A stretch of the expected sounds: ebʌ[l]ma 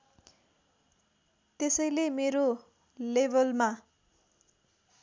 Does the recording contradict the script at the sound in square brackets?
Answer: no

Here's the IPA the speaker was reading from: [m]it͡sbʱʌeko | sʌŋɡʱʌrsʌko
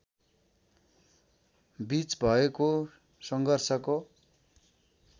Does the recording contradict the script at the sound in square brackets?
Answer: yes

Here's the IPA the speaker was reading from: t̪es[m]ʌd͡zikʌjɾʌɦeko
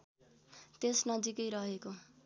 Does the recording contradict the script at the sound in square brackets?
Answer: yes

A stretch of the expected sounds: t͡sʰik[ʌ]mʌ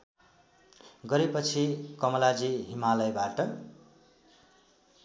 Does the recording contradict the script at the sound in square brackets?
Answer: no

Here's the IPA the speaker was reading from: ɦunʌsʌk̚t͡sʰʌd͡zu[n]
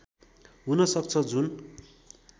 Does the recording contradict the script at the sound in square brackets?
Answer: no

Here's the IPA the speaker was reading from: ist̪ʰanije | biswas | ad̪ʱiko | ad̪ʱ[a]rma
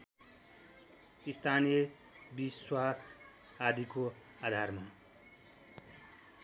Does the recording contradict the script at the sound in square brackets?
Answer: no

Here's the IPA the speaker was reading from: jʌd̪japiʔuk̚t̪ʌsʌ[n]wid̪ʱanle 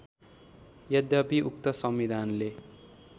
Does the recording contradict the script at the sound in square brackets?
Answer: yes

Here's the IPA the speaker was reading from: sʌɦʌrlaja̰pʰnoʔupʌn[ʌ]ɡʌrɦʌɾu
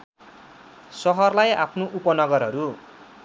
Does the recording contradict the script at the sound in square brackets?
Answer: no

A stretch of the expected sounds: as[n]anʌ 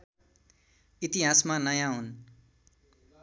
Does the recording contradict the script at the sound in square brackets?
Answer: yes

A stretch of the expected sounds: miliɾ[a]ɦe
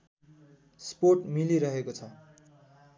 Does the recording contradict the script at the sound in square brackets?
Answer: yes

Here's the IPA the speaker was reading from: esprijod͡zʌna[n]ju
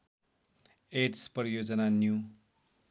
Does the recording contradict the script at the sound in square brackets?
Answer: no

